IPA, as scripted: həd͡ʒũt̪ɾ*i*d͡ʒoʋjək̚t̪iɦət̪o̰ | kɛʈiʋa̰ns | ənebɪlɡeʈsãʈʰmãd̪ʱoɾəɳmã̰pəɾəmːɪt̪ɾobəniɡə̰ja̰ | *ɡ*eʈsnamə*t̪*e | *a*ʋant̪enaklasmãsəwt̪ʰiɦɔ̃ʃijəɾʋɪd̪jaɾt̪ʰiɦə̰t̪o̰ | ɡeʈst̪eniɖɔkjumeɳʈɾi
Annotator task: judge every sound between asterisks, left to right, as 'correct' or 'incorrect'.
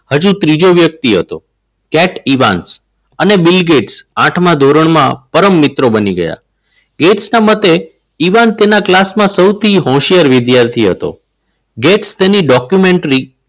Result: correct, correct, correct, incorrect

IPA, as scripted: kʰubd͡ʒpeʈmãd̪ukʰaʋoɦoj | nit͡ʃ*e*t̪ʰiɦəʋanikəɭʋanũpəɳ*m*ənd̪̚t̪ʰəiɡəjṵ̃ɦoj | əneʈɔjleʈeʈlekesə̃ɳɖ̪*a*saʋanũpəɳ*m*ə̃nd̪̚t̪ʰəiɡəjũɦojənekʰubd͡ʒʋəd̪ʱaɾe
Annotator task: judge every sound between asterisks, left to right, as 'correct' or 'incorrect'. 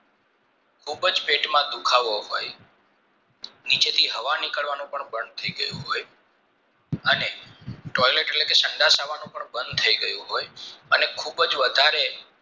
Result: correct, incorrect, correct, incorrect

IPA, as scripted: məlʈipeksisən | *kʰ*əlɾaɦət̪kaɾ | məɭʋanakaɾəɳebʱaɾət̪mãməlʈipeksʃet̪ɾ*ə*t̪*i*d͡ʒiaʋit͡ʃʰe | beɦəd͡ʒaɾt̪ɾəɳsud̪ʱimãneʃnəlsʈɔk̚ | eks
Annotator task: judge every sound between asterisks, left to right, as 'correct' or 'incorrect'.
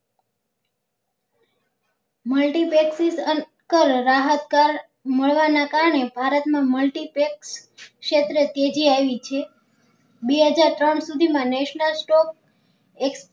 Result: incorrect, correct, incorrect

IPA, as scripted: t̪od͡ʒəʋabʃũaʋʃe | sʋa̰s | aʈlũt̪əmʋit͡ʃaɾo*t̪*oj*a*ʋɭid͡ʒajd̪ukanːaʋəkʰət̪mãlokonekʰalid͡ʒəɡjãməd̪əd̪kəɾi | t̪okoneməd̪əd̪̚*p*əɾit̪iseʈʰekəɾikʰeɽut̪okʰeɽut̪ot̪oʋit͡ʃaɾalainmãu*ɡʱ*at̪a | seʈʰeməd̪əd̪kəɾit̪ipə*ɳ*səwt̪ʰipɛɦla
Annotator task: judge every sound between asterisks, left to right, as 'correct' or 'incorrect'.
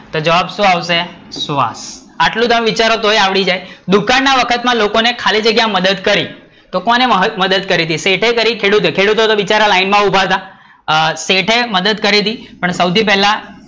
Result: correct, correct, incorrect, incorrect, correct

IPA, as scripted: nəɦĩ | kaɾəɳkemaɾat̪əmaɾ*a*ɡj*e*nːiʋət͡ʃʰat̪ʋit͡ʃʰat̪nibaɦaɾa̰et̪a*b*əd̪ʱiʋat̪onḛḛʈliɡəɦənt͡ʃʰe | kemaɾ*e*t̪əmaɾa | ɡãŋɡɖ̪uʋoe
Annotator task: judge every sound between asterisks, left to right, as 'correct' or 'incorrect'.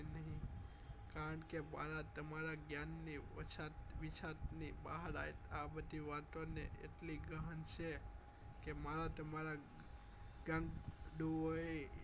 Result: correct, incorrect, correct, incorrect

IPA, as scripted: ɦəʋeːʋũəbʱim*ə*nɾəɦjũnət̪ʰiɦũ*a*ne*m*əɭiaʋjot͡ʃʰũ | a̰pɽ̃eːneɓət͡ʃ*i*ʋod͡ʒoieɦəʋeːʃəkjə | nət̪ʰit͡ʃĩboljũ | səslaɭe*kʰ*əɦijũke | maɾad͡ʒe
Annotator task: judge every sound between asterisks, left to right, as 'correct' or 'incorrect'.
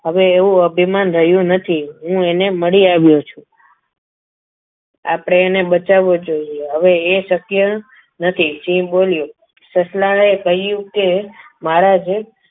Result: incorrect, incorrect, correct, incorrect, incorrect

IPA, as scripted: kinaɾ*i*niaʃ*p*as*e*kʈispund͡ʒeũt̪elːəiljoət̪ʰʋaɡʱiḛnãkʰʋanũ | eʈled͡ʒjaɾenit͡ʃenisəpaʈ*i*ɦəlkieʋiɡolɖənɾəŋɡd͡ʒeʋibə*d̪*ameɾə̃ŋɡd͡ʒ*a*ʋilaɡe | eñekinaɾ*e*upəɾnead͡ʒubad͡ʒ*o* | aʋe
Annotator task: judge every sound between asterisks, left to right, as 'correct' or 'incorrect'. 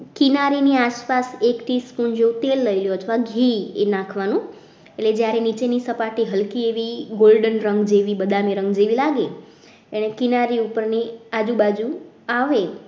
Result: correct, correct, correct, correct, correct, incorrect, incorrect, incorrect

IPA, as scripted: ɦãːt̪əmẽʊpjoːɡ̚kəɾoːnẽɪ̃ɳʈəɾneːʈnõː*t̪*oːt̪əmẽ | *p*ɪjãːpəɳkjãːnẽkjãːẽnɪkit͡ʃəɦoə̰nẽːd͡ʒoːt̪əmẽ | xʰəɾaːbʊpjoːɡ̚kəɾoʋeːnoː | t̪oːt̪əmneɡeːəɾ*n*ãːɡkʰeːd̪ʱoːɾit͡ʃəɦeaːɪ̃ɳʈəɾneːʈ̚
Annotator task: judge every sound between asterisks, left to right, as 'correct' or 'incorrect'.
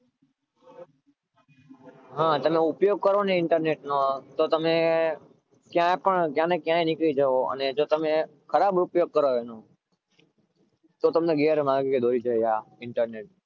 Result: correct, incorrect, incorrect

